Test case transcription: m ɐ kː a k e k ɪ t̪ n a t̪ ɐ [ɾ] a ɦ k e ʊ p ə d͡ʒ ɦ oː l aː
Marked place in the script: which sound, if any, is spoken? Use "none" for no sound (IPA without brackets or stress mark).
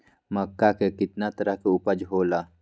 ɾ